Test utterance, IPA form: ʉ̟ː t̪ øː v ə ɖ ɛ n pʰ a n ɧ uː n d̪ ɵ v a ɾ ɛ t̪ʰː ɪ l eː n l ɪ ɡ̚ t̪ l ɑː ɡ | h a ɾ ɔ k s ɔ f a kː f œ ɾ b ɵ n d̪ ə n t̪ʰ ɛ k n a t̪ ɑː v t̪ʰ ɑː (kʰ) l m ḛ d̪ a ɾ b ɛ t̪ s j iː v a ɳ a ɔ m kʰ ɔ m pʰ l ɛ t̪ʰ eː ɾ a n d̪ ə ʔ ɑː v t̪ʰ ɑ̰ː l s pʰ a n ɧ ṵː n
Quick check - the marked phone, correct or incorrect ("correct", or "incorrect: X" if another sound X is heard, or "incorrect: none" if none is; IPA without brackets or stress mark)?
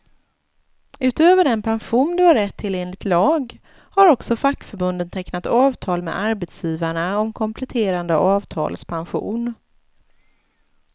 incorrect: none